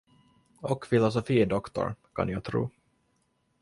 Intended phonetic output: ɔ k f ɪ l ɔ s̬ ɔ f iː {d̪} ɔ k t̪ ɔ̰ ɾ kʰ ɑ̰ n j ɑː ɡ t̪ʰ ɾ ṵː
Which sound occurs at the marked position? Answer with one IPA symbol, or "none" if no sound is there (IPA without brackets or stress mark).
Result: d̪